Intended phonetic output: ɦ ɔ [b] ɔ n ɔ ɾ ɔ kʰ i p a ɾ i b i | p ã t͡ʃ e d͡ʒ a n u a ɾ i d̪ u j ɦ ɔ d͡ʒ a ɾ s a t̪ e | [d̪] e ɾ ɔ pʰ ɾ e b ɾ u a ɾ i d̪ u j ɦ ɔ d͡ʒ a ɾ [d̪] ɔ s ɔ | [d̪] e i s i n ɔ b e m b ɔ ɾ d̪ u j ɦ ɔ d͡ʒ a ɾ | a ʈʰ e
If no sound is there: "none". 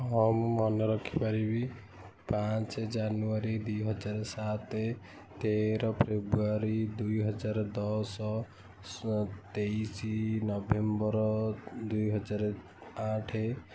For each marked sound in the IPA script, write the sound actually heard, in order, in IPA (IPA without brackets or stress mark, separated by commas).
m, t̪, d̪, t̪